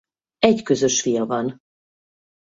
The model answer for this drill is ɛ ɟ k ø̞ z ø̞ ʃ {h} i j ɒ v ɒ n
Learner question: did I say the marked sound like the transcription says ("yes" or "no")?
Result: no